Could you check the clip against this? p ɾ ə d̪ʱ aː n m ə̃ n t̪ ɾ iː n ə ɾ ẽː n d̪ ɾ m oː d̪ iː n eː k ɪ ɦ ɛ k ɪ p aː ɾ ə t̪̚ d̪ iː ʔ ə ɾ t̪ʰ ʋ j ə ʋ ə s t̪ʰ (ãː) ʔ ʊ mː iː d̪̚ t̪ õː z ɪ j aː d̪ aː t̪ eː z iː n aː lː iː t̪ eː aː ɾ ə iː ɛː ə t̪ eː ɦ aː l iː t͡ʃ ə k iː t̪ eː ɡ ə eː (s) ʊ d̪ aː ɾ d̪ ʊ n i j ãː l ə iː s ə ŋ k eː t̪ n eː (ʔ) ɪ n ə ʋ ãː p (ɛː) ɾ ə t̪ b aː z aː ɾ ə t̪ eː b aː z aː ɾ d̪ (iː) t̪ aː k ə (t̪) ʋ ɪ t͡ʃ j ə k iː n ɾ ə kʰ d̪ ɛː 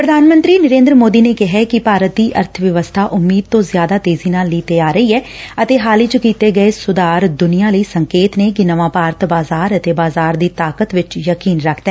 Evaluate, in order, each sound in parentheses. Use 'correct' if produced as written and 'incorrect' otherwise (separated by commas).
incorrect, correct, incorrect, incorrect, correct, correct